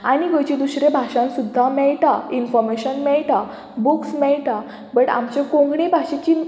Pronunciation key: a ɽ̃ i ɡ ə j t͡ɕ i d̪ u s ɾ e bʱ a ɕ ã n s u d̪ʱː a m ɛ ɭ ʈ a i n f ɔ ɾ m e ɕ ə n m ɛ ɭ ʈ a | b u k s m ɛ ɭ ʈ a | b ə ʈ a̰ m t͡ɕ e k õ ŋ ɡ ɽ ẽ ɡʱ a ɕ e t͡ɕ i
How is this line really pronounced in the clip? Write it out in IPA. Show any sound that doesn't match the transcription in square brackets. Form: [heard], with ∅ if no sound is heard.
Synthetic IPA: a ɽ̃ i ɡ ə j t͡ɕ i d̪ u s ɾ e bʱ a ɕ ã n s u d̪ʱː a m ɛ ɭ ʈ a i n f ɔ ɾ m e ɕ ə n m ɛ ɭ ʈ a | b u k s m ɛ ɭ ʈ a | b ə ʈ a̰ m t͡ɕ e k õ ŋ ɡ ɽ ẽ [bʱ] a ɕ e t͡ɕ i

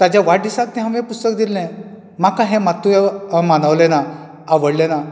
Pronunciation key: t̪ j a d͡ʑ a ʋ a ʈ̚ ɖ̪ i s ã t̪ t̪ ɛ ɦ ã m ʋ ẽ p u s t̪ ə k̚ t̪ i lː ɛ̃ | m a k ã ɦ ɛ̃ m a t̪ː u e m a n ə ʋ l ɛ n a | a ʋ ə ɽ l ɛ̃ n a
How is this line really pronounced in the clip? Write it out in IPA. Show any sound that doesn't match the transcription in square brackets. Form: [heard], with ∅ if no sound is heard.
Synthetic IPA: t̪ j a d͡ʑ a ʋ a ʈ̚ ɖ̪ i s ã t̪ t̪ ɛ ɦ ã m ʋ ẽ p u s t̪ ə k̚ [d̪] i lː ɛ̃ | m a k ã ɦ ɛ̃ m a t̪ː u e m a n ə ʋ l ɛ n a | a ʋ ə ɽ l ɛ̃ n a

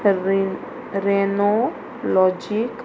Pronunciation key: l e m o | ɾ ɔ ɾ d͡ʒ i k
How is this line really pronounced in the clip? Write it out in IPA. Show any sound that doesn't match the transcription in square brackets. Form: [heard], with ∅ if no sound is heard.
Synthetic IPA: [ɾ] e [n] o | [l] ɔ [∅] d͡ʒ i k

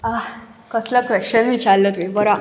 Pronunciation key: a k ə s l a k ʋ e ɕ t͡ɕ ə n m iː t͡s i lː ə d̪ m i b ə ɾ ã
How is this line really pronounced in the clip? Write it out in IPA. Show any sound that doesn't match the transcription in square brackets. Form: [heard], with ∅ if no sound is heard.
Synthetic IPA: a k ə s l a k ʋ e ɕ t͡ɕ ə n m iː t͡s [a] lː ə [t̪] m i b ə ɾ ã

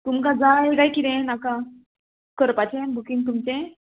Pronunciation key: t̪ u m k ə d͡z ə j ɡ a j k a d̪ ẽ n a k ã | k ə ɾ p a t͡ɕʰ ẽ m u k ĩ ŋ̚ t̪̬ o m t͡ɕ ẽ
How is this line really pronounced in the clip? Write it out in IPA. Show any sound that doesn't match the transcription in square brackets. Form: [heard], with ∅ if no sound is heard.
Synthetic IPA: t̪ u m k [a] d͡z [a] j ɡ a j k [i] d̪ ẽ n a k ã | k ə ɾ p a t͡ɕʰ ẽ [b] u k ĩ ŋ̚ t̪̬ [u] m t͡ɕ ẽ

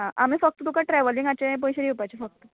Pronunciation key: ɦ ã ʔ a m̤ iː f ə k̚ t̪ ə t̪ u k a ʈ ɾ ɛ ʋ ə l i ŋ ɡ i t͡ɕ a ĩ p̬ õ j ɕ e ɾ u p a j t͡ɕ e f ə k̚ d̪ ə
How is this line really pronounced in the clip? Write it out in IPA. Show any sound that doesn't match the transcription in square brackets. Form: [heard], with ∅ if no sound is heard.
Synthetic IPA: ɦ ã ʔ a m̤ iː f ə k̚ t̪ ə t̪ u k a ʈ ɾ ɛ ʋ ə l i ŋ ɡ [a] t͡ɕ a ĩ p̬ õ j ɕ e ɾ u p a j t͡ɕ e f ə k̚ [t̪] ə

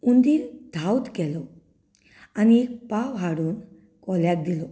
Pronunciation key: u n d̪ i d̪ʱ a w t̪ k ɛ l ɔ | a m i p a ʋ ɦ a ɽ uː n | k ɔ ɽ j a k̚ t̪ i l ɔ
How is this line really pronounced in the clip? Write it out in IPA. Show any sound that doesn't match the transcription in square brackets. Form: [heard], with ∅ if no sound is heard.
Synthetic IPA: u n d̪ i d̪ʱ a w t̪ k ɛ l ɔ | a [n] i p a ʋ ɦ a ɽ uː n | k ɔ [l] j a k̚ [d̪] i l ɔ

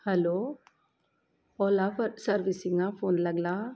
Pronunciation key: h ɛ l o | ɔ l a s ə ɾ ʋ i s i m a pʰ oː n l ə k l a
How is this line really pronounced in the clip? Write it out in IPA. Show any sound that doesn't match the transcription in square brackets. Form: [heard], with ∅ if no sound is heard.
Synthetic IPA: h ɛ l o | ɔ l a s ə ɾ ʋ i s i [ŋ] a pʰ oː n l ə [ɡ] l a

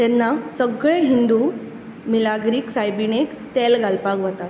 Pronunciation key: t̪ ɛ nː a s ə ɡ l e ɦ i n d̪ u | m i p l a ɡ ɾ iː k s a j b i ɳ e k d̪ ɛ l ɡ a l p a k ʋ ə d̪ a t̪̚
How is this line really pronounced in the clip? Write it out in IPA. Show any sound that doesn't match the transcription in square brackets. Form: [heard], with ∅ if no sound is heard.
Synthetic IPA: t̪ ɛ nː a s ə ɡ [ɭ] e ɦ i n d̪ u | m i [∅] l a ɡ ɾ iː k s a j b i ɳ e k [t̪] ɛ l ɡ a l p a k ʋ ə [t̪] a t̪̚

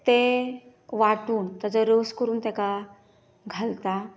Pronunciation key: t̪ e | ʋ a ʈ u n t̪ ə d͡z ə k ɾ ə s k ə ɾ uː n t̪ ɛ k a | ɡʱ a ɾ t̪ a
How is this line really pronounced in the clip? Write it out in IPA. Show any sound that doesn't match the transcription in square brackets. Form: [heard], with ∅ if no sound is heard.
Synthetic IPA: t̪ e | ʋ a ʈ [uː] n t̪ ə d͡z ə [∅] ɾ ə s k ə ɾ uː n t̪ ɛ k a | ɡʱ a [l] t̪ a

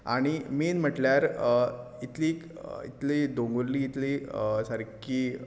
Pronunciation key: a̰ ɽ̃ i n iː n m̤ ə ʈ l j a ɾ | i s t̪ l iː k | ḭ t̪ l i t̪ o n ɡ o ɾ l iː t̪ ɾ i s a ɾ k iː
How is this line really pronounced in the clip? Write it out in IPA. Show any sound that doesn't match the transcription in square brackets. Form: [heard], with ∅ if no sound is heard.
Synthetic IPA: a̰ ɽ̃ i [m] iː n m̤ ə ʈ l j a ɾ | i [∅] t̪ l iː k | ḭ t̪ l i [d̪] o [ŋ] ɡ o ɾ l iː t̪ [l] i s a ɾ k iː

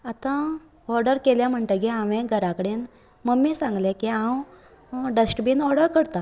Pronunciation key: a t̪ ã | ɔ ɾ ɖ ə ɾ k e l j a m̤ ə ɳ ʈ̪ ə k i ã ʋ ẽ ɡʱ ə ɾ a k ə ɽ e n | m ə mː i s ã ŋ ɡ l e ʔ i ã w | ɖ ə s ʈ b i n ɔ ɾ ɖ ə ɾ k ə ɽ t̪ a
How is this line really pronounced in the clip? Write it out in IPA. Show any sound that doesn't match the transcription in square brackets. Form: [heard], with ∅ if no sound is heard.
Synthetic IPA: a t̪ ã | ɔ ɾ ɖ ə ɾ k e l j a m̤ ə ɳ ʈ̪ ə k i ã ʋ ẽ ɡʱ ə ɾ a k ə ɽ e n | m ə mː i s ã ŋ ɡ l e [k] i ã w | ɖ ə s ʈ b i n ɔ ɾ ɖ ə ɾ k ə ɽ t̪ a

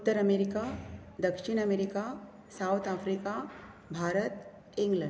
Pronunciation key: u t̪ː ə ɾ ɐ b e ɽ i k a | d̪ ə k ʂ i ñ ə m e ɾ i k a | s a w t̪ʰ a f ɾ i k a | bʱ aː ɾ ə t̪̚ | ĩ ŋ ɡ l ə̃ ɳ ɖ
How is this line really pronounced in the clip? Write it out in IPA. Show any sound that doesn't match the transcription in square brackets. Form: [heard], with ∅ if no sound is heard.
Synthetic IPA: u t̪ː ə ɾ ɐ [m] e [ɾ] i k a | d̪ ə k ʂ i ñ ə m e ɾ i k a | s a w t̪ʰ a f ɾ i k a | bʱ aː ɾ ə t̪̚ | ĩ ŋ ɡ l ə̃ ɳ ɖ

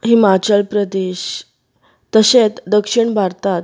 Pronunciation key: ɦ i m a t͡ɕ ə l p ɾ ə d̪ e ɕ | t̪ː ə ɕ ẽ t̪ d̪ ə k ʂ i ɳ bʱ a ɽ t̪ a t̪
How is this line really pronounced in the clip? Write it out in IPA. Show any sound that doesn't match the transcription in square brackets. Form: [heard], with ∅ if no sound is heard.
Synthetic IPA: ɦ i m a t͡ɕ ə l p ɾ ə d̪ e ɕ | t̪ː ə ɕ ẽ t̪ d̪ ə k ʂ i ɳ bʱ a [ɾ] t̪ a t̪

